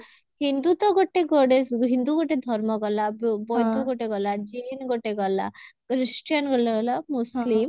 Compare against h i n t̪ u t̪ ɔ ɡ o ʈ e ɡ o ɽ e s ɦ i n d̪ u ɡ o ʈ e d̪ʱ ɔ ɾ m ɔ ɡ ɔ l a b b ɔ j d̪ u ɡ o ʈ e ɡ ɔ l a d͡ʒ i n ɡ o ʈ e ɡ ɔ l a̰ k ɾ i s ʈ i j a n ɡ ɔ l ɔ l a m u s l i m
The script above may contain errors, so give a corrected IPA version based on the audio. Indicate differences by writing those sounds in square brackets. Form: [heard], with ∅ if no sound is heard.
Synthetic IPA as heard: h i n [d̪] u t̪ ɔ ɡ o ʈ e ɡ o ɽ e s ɦ i n d̪ u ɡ o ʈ e d̪ʱ ɔ ɾ m ɔ ɡ ɔ l a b b ɔ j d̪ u ɡ o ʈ e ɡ ɔ l a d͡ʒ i n ɡ o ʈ e ɡ ɔ l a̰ k ɾ i s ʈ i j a n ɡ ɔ l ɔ l a m u s l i m